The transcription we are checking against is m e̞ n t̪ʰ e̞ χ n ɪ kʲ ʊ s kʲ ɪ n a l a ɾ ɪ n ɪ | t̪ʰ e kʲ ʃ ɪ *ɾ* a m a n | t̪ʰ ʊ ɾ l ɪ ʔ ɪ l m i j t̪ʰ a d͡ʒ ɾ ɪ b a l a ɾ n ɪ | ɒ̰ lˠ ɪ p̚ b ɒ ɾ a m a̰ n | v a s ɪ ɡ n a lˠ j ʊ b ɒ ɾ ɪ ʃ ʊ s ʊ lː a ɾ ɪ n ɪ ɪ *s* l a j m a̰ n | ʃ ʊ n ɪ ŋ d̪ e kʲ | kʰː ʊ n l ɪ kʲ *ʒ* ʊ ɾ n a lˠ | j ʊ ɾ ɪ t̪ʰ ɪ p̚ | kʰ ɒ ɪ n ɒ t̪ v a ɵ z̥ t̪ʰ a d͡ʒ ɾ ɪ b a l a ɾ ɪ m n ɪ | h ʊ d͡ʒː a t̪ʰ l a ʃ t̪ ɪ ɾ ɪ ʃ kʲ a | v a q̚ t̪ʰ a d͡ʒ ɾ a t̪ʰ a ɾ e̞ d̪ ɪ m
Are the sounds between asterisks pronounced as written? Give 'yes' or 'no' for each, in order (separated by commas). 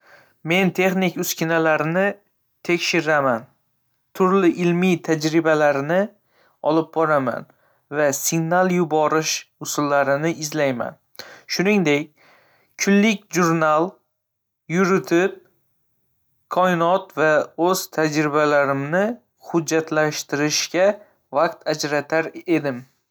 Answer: yes, no, yes